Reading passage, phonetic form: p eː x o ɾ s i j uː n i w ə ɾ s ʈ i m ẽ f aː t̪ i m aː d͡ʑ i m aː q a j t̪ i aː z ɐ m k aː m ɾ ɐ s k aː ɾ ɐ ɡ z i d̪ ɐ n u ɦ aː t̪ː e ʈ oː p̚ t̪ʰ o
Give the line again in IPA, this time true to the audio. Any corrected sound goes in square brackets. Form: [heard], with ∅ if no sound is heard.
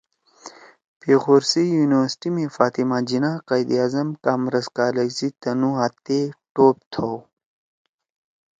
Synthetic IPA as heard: p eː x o ɾ s i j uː n i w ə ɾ s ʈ i m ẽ f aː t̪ i m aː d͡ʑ i [n] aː q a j [d̪] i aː z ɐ m k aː m ɾ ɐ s k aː [l] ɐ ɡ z i [t̪] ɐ n u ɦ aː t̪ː e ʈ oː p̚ t̪ʰ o

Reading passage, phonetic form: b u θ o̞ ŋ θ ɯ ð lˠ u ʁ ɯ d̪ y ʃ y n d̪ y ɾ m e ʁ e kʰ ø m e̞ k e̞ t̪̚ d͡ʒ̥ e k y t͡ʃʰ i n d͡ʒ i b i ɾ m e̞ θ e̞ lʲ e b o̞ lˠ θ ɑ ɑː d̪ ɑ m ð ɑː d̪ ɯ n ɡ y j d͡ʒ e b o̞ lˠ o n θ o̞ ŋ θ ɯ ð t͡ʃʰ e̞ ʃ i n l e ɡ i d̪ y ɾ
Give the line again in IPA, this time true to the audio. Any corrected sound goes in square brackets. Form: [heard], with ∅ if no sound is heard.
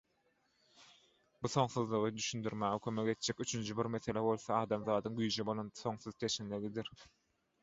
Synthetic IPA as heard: b u θ o̞ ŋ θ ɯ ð lˠ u ʁ ɯ d̪ y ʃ y n d̪ y ɾ m [æ] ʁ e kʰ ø m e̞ k e̞ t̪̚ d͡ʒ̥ e k y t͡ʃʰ [y] n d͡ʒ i b i ɾ m e̞ θ e̞ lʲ e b o̞ lˠ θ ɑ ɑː d̪ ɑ m ð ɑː d̪ ɯ [ŋ] ɡ y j d͡ʒ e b o̞ lˠ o n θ o̞ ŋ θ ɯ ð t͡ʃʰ e̞ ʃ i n l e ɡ i d̪ [i] ɾ

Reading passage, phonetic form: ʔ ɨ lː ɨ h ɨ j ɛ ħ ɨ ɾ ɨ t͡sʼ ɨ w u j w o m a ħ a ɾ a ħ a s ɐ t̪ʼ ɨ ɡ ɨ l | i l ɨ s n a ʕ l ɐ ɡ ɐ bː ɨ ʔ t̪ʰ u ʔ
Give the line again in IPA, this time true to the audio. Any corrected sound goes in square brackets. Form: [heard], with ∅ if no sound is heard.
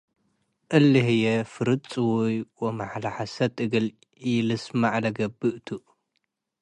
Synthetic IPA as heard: ʔ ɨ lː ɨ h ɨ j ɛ [f] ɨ ɾ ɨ t͡sʼ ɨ w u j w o m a ħ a [l] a ħ a s ɐ t̪ʼ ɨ ɡ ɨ l | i l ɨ s [m] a ʕ l ɐ ɡ ɐ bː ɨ ʔ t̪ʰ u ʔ

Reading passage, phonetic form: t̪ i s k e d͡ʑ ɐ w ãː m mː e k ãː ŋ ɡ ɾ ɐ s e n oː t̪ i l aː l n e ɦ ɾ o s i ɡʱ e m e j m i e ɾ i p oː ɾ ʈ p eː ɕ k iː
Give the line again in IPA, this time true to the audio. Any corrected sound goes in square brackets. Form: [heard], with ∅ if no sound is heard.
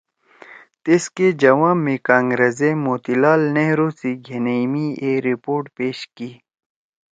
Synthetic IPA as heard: t̪ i s k e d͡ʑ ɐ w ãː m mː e k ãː ŋ ɡ ɾ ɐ [z] e [m] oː t̪ i l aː l n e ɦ ɾ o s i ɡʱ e [n] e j m i e ɾ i p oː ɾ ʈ p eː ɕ k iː

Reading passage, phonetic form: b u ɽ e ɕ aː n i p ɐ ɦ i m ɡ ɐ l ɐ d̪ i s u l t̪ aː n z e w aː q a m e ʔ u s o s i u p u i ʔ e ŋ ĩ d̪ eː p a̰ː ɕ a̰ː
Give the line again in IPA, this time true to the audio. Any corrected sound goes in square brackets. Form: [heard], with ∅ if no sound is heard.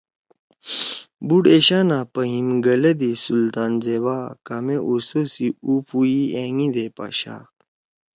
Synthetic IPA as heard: b u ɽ e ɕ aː n [a] p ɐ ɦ i m ɡ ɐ l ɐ d̪ i s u l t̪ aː n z e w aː [k] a m e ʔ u s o s i u p u i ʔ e ŋ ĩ d̪ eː p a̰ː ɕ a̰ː

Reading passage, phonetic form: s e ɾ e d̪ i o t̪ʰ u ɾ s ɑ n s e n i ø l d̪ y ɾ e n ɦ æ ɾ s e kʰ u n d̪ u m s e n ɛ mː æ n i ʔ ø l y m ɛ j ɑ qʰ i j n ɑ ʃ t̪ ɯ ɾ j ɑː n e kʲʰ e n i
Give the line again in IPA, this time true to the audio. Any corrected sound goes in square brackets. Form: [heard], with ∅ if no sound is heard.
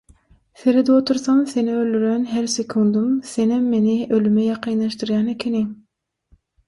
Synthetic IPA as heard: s e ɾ e d̪ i o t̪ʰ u ɾ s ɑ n s e n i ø l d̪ y ɾ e n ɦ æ ɾ s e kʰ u n d̪ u m s e n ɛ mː [e] n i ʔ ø l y m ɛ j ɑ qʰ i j n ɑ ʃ t̪ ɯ ɾ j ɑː n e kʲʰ e n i

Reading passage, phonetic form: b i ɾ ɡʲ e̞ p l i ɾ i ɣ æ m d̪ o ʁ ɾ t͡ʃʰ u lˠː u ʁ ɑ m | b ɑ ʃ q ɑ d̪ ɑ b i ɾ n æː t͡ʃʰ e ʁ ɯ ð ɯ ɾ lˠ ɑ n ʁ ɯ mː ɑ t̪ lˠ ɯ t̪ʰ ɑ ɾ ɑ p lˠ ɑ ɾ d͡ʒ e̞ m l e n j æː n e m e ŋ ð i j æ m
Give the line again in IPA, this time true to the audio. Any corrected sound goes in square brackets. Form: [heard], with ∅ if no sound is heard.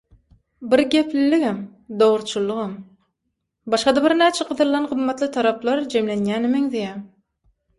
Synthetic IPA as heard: b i ɾ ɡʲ e̞ p l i [l] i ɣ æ m d̪ o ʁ ɾ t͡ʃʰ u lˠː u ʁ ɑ m | b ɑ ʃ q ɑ d̪ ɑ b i ɾ n æː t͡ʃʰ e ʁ ɯ ð ɯ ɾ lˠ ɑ n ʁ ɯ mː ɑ t̪ lˠ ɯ t̪ʰ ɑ ɾ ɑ p lˠ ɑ ɾ d͡ʒ e̞ m l e n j æː n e m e ŋ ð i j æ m

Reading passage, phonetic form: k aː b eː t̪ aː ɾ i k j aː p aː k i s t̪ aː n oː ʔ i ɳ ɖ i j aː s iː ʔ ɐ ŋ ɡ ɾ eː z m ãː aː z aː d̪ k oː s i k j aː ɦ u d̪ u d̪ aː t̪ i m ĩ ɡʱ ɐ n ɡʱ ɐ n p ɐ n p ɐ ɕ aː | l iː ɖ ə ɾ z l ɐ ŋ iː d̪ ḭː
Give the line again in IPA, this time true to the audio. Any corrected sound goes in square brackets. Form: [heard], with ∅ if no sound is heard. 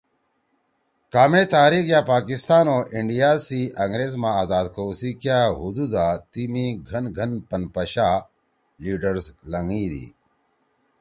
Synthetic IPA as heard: k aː [m] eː t̪ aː ɾ i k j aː p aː k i s t̪ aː n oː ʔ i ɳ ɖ i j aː s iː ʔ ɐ ŋ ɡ ɾ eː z m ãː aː z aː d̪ k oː s i k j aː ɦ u d̪ u d̪ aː t̪ i m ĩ ɡʱ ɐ n ɡʱ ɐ n p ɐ n p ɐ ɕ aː | l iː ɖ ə ɾ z l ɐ ŋ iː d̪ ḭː

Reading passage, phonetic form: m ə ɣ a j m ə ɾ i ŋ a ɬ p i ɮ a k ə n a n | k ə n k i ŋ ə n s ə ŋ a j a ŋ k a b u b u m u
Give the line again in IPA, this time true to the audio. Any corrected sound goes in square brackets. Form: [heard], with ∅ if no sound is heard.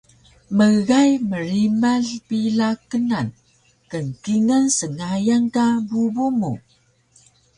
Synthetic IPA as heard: m ə ɣ a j m ə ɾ i [m] a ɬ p i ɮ a k ə n a n | k ə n k i ŋ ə n s ə ŋ a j a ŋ k a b u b u m u

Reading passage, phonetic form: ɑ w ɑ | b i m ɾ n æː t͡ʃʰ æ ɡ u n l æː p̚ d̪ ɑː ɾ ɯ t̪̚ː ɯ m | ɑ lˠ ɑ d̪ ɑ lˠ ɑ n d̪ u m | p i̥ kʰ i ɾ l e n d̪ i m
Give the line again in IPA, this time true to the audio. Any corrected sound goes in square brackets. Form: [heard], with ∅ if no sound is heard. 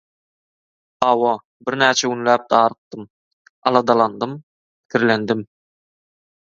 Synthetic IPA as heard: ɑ w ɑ | b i [∅] ɾ n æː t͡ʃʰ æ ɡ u n l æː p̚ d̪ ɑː ɾ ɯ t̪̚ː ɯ m | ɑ lˠ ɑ d̪ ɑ lˠ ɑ n d̪ [ɯ] m | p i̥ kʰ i ɾ l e n d̪ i m

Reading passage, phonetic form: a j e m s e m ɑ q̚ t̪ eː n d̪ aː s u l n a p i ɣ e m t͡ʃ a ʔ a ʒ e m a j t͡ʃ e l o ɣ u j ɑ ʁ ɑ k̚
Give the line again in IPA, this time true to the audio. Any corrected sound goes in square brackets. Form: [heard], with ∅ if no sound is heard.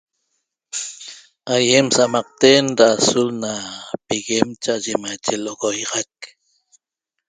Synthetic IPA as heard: a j e m s [a] m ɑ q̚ t̪ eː n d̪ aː s u l n a p i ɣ e m t͡ʃ a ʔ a ʒ e m a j t͡ʃ e l o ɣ [o] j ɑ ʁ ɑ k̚

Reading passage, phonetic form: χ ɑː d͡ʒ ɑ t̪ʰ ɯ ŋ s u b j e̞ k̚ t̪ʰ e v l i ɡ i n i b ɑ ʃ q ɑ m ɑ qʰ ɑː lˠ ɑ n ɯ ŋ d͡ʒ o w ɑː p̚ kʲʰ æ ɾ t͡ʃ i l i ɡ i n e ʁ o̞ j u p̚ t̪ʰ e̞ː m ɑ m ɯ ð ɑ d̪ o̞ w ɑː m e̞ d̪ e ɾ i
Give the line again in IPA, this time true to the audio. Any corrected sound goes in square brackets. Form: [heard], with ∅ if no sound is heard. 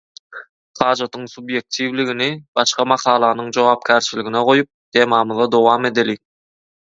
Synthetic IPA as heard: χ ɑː d͡ʒ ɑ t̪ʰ ɯ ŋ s u b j e̞ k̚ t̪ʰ [i] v l i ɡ i n i b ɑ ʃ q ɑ m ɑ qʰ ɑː lˠ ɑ n ɯ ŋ d͡ʒ o w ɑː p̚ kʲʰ æ ɾ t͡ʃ i l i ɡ i n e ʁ o̞ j u p̚ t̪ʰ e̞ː m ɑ m ɯ ð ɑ d̪ o̞ w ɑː m e̞ d̪ e [l] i

